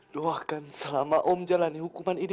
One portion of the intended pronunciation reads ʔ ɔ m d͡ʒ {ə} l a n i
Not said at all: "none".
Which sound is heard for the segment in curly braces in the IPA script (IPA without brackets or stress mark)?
a